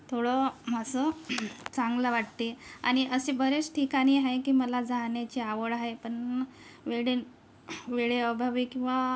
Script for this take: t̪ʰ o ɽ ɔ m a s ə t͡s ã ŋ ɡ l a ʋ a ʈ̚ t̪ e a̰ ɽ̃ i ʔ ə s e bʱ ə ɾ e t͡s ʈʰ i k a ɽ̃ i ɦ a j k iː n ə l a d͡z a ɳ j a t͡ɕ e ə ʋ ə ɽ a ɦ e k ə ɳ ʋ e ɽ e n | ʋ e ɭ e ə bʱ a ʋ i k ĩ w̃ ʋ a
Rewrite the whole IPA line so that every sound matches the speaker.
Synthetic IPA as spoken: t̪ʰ o ɽ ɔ m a s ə t͡s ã ŋ ɡ l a ʋ a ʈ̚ t̪ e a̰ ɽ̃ i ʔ ə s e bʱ ə ɾ e t͡s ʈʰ i k a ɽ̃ i ɦ a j k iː m ə l a d͡z a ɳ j a t͡ɕ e a ʋ ə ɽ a ɦ e p ə ɳ ʋ e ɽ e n | ʋ e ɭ e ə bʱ a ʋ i k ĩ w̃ ʋ a